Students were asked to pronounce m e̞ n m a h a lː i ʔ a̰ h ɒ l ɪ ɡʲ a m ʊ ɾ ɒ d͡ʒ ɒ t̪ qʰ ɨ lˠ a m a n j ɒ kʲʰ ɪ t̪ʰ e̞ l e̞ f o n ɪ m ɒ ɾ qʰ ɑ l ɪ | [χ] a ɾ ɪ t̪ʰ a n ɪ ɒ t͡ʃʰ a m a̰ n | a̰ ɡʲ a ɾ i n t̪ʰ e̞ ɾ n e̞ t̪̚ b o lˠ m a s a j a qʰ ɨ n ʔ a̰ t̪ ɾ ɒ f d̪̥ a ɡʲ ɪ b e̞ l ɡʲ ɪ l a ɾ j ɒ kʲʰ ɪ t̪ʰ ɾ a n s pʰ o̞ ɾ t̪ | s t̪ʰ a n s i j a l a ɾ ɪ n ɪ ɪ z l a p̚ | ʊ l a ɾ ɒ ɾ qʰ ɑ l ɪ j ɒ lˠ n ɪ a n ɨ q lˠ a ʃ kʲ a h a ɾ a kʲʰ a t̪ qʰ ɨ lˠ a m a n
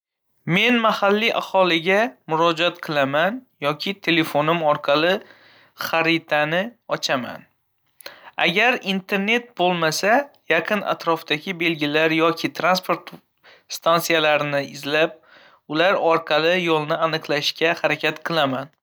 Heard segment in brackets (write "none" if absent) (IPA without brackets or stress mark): χ